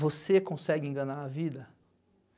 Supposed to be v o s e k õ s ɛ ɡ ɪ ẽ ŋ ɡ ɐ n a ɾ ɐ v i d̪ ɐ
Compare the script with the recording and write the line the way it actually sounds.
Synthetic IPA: v o s e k õ s ɛ ɡ ɪ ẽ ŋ ɡ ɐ n a ɾ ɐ v i d̪ ɐ